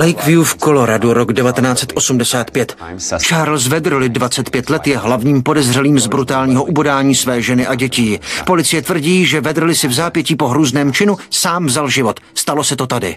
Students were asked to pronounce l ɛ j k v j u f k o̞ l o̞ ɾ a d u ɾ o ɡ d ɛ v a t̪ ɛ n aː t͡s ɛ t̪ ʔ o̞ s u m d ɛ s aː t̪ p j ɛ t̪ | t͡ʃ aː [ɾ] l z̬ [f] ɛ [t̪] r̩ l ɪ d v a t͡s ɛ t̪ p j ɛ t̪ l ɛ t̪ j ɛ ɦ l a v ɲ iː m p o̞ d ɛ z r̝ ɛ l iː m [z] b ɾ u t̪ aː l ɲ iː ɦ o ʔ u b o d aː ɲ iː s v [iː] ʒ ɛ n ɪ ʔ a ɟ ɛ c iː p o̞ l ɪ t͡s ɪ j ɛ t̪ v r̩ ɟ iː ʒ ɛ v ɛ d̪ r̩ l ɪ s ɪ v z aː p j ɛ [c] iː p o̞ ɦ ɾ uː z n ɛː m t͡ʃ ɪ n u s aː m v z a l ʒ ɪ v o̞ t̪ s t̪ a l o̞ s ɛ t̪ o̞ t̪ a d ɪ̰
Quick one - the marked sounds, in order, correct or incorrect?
correct, incorrect, incorrect, correct, incorrect, correct

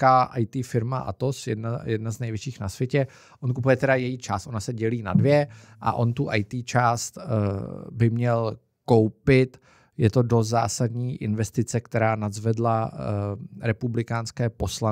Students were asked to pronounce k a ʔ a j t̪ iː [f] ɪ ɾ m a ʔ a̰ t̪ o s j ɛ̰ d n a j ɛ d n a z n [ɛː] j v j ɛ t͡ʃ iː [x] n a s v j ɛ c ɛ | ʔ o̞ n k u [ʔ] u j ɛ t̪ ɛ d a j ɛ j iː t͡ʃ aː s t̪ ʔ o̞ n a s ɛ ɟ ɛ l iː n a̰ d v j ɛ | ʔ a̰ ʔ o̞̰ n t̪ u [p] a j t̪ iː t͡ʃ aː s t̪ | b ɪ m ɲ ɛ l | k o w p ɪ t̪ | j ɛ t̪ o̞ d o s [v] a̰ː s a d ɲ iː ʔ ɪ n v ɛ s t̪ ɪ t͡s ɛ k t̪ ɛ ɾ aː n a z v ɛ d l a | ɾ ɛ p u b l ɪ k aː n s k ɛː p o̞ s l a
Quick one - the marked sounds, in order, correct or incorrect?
correct, incorrect, correct, incorrect, incorrect, incorrect

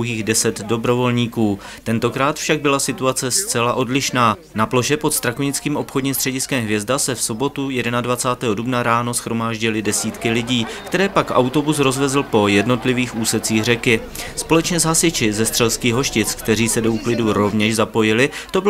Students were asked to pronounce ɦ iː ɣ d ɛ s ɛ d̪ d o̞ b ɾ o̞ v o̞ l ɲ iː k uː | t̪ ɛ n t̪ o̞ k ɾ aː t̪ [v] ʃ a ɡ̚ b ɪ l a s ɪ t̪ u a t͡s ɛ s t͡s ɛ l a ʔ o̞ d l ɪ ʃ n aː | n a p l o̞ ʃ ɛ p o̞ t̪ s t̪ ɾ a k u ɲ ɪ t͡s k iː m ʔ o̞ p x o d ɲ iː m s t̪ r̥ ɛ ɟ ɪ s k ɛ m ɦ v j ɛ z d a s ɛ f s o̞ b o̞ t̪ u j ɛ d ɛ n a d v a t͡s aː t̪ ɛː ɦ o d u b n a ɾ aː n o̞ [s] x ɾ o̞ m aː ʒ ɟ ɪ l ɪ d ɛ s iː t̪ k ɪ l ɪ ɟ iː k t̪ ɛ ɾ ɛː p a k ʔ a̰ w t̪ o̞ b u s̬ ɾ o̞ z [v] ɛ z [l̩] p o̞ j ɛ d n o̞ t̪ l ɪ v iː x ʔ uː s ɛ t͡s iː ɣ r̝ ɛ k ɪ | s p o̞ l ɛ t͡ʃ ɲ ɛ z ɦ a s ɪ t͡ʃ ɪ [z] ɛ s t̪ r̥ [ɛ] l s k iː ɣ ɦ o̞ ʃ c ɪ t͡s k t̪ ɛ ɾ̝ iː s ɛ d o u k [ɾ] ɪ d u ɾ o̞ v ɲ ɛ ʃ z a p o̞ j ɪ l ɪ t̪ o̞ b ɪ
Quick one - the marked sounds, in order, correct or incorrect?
incorrect, correct, correct, correct, correct, correct, incorrect

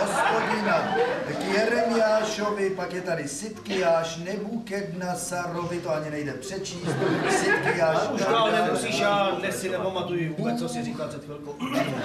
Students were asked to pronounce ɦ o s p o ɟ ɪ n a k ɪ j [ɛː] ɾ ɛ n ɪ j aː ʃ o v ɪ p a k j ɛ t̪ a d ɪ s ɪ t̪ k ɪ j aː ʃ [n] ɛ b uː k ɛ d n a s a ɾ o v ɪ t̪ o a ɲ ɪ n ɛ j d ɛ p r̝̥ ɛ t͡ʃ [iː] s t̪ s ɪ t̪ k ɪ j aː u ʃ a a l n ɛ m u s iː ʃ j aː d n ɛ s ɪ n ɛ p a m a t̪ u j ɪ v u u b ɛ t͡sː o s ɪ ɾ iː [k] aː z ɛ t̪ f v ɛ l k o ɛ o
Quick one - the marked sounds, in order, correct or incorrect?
incorrect, correct, correct, correct

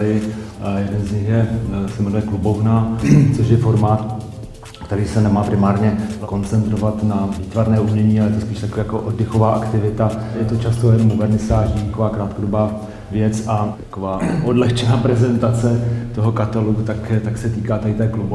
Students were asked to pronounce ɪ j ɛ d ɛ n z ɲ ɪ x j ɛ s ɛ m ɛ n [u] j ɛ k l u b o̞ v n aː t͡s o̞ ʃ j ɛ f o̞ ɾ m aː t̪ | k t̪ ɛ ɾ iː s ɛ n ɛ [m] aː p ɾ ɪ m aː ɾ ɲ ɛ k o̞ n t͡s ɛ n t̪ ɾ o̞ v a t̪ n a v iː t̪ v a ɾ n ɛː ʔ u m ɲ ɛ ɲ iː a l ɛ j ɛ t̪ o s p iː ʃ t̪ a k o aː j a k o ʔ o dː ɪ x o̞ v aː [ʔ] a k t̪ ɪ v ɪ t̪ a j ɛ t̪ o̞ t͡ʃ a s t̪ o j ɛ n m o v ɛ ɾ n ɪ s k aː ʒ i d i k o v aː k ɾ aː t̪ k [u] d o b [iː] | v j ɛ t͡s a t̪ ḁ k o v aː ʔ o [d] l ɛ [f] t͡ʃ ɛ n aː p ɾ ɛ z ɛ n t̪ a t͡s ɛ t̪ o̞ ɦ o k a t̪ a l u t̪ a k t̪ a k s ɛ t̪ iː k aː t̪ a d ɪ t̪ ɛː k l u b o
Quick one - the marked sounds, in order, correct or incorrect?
correct, correct, correct, incorrect, incorrect, correct, incorrect

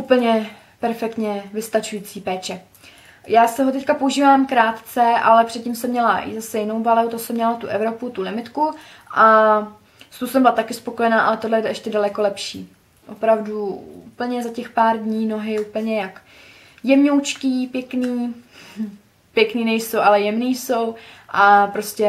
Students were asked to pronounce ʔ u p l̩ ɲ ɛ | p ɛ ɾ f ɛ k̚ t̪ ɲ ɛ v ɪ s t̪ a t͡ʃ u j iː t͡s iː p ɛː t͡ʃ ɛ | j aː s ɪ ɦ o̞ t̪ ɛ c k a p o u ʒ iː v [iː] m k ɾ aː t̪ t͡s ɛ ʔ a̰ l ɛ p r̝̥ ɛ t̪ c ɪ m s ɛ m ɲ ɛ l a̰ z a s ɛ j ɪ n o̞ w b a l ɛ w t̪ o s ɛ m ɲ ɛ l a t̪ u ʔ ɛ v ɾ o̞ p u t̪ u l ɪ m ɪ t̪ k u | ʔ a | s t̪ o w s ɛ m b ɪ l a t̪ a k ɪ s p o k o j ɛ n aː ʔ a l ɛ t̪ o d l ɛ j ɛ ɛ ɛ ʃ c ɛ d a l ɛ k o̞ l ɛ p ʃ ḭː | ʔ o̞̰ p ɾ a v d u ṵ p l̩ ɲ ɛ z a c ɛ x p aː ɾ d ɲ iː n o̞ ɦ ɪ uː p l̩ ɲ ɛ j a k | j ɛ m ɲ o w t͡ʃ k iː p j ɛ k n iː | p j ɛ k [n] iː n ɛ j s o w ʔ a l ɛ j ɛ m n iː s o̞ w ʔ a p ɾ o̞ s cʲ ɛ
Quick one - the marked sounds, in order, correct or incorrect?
incorrect, correct

